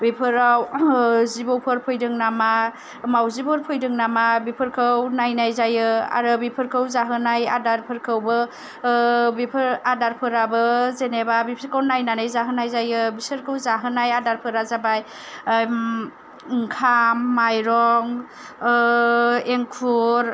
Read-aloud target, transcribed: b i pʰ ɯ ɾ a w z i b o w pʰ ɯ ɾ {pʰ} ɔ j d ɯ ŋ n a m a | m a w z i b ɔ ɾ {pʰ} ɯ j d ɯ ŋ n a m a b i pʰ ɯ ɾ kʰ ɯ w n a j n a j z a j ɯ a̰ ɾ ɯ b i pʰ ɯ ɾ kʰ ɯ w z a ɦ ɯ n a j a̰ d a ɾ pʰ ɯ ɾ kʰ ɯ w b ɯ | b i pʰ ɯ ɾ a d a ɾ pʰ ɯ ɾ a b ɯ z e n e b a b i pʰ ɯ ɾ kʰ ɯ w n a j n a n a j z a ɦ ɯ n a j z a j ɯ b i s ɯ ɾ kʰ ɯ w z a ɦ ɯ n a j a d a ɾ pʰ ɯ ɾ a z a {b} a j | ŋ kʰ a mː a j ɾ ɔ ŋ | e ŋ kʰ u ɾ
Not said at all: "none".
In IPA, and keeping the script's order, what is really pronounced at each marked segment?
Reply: pʰ, pʰ, b

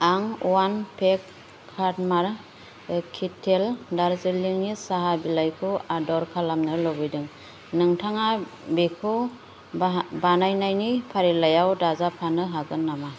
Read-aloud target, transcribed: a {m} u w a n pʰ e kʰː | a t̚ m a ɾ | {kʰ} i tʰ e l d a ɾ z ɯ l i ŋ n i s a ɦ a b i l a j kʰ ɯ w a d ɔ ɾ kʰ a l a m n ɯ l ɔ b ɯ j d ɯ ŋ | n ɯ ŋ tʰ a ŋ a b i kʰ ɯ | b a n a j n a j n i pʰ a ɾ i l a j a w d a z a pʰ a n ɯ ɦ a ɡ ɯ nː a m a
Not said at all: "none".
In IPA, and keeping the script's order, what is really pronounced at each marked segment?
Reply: ŋ, kʰ

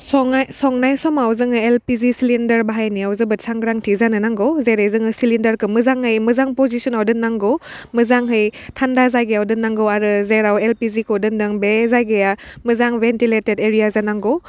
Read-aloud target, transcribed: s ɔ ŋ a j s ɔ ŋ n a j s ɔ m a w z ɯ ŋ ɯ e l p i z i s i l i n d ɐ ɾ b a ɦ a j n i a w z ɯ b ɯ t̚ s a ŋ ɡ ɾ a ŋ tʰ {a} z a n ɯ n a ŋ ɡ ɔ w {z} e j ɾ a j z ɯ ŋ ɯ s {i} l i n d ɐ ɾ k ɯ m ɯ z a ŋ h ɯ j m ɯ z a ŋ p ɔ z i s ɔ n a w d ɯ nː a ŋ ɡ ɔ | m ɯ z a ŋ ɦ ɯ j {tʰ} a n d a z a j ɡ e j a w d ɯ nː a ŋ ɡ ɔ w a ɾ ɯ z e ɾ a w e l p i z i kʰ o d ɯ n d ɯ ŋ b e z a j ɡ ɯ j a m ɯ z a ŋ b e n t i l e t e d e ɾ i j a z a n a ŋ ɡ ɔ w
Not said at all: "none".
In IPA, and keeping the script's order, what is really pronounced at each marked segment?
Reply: i, z, i, tʰ

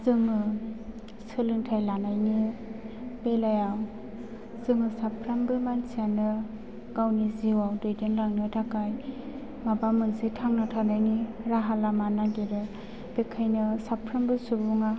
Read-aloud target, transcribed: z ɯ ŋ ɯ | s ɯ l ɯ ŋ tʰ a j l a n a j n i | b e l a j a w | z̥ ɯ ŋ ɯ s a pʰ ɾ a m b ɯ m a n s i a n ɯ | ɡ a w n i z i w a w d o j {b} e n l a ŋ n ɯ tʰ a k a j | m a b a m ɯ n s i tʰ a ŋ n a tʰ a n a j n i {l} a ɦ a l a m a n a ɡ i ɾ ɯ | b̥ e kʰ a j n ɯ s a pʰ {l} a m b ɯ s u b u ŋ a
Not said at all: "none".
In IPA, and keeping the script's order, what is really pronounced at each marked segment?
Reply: d, ɾ, ɾ

